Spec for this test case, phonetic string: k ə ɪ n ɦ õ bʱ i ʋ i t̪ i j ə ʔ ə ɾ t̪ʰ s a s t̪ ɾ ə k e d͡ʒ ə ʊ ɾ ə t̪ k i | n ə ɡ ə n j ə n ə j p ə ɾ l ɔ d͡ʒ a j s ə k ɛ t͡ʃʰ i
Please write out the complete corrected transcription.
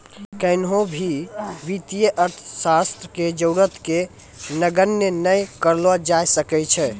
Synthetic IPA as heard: k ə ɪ n ɦ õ bʱ i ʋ i t̪ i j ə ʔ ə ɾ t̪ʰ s a s t̪ ɾ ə k e d͡ʒ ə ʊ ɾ ə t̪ k e | n ə ɡ ə n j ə n ə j k ə ɾ l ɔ d͡ʒ a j s ə k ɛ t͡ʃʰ ɛ